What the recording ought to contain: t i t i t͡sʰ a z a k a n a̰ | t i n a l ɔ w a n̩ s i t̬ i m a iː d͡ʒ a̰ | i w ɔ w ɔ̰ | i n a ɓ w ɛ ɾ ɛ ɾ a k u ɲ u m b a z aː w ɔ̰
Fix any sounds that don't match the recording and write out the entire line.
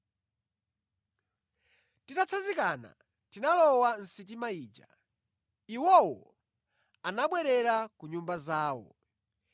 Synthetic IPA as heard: t i t a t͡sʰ a z i k a n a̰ | t i n a l ɔ w a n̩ s i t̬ i m a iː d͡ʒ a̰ | i w ɔ w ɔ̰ | a n a ɓ w ɛ ɾ ɛ ɾ a k u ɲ u m b a z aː w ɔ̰